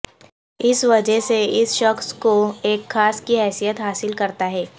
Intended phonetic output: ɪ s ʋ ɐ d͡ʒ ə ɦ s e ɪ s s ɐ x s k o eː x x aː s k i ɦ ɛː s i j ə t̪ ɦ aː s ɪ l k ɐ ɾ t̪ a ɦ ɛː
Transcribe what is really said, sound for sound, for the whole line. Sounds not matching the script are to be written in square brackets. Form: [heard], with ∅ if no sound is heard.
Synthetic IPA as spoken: ɪ s ʋ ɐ d͡ʒ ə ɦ s e ɪ s [ʃ] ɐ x s k o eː [k] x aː s k i ɦ ɛː s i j ə t̪ ɦ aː s ɪ l k ɐ ɾ t̪ a ɦ ɛː